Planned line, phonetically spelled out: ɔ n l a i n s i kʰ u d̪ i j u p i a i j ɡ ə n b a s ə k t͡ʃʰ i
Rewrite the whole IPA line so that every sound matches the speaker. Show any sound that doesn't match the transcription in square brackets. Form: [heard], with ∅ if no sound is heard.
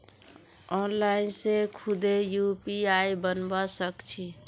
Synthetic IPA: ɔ n l a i n s [e] kʰ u d̪ [e] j u p i a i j [b] ə n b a s ə k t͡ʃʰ i